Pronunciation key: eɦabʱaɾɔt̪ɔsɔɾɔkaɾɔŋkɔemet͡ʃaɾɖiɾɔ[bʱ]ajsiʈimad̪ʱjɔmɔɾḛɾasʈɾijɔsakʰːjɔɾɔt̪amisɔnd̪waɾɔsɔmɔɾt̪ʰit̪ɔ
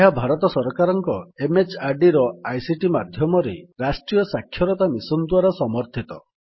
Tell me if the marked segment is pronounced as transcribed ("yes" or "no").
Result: no